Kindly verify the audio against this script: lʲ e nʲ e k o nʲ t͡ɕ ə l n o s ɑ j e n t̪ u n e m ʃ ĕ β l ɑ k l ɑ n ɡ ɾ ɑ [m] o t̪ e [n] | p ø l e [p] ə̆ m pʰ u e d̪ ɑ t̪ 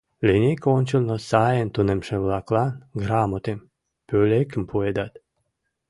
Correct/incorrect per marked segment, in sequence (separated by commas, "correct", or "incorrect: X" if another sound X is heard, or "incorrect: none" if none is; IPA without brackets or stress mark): correct, incorrect: m, incorrect: k